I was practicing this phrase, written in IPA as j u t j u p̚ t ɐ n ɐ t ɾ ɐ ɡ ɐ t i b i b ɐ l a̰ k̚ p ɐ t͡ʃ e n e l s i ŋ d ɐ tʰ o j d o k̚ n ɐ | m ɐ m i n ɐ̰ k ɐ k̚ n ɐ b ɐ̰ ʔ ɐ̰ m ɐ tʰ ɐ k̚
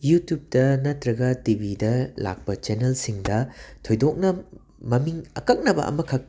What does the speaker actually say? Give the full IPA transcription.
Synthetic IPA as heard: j u t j u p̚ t ɐ n ɐ t ɾ ɐ ɡ ɐ t i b i d ɐ l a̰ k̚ p ɐ t͡ʃ e n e l s i ŋ d ɐ tʰ o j d o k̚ n ɐ | m ɐ m i ŋ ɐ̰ k ɐ k̚ n ɐ b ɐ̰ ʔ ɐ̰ m ɐ kʰ ɐ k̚